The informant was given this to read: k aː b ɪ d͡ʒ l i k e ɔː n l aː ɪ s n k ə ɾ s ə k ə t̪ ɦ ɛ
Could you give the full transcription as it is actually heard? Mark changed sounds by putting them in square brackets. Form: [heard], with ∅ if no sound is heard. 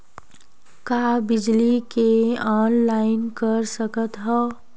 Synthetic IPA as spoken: k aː b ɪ d͡ʒ l i k e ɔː n l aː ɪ [∅] n k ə ɾ s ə k ə t̪ ɦ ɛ